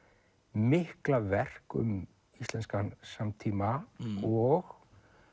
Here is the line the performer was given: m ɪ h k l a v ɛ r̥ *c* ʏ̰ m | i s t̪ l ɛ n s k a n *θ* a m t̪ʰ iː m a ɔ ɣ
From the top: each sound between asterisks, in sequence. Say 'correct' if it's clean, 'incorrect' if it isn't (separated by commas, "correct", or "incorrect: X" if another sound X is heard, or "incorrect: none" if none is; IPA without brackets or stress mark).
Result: incorrect: k, incorrect: s